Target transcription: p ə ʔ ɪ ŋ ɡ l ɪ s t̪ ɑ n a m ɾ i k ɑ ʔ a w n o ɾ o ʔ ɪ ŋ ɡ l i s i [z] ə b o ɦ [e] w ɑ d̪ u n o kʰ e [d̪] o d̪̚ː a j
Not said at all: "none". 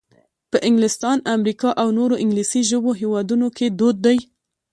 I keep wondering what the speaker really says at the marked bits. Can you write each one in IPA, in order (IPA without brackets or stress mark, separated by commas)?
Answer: ʒ, e, d̪